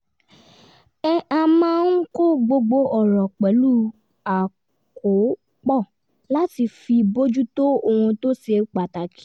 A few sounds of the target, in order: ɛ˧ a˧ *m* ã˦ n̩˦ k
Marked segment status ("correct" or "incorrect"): correct